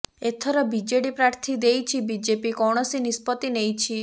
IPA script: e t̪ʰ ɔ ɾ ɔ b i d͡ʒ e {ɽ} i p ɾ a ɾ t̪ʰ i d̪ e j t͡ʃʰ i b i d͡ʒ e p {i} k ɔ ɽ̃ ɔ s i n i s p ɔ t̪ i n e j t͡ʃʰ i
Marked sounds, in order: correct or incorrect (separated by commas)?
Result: correct, correct